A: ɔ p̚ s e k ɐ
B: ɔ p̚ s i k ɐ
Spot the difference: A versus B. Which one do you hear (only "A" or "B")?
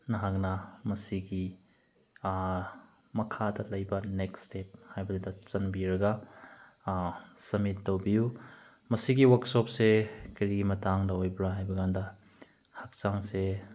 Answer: A